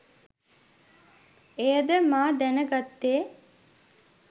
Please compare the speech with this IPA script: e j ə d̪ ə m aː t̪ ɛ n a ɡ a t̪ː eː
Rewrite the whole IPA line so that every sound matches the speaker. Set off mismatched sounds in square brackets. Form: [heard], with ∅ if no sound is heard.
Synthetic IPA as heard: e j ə d̪ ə m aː [d̪] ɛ n [ə] ɡ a t̪ː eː